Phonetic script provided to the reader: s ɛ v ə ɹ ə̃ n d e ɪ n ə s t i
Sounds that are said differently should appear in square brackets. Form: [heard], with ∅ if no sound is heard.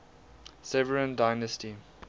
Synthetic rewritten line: s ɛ v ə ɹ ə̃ n d [a] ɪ n ə s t i